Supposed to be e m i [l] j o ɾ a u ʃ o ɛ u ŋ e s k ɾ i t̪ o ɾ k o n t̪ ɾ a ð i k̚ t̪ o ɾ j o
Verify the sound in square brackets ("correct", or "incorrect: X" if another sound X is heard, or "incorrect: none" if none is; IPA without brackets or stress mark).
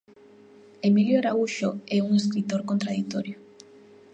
correct